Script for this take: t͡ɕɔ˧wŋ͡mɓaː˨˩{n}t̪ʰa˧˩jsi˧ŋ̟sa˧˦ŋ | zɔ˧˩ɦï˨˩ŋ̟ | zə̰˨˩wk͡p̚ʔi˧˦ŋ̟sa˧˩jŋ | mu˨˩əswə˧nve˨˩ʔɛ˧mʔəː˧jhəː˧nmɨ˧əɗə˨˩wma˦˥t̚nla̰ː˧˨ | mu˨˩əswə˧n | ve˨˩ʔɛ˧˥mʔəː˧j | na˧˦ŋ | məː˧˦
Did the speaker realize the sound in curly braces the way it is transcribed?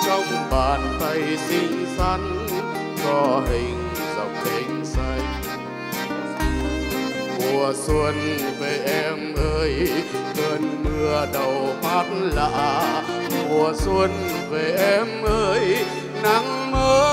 yes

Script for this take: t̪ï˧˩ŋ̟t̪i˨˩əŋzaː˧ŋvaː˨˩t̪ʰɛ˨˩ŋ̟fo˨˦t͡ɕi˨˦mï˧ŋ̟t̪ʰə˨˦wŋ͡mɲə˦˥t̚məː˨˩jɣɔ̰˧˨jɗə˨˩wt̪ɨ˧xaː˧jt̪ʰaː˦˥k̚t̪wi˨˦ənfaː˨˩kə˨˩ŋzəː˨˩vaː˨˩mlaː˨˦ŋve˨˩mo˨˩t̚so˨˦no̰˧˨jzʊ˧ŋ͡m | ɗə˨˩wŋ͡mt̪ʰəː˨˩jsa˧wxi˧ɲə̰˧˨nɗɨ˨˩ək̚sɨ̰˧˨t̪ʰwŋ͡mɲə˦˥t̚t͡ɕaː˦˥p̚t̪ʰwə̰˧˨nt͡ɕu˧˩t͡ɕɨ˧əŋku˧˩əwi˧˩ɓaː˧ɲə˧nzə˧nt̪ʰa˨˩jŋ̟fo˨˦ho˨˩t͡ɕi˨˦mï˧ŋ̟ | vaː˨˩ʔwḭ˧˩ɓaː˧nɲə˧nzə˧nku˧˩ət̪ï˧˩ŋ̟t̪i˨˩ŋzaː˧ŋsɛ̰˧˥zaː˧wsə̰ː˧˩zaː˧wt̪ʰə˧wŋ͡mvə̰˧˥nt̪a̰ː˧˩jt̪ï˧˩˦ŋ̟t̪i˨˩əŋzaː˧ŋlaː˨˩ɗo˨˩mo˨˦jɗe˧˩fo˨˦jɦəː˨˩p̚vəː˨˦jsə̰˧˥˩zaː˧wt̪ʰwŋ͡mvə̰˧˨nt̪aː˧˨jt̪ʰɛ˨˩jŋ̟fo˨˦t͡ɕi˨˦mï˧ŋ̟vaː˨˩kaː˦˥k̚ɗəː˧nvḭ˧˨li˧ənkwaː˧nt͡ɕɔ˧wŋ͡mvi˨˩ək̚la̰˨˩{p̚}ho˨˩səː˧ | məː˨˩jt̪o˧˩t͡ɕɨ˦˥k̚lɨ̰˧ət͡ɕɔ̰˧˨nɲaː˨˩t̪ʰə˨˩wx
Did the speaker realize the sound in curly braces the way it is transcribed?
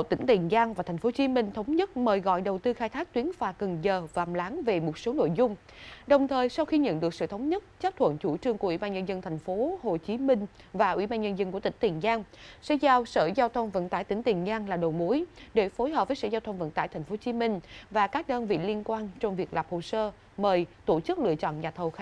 yes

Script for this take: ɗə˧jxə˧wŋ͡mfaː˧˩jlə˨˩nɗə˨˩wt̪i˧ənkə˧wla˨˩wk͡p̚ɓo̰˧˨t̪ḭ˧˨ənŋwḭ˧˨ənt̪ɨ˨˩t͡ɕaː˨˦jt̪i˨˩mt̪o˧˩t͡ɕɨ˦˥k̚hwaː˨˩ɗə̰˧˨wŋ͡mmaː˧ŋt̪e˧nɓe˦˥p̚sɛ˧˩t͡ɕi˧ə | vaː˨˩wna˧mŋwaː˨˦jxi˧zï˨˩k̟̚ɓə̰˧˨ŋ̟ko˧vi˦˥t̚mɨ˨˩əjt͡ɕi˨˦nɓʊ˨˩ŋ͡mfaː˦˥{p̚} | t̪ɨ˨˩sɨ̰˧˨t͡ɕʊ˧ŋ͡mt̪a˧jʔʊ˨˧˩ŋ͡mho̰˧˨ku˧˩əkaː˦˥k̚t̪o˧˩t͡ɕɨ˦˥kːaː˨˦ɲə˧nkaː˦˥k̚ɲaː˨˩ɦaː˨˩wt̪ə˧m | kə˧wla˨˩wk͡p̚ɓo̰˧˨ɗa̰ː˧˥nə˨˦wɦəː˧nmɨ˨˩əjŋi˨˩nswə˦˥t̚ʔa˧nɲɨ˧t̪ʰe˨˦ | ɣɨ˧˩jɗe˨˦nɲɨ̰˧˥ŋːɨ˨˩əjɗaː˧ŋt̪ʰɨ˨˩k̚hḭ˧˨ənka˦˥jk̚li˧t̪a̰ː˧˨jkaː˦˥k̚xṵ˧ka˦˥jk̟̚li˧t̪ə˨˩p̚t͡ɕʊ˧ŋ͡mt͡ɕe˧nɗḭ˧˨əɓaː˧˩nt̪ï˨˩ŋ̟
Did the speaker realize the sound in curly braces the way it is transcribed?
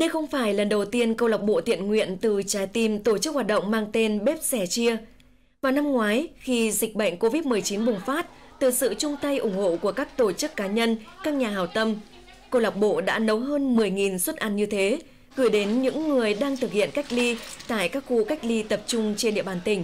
no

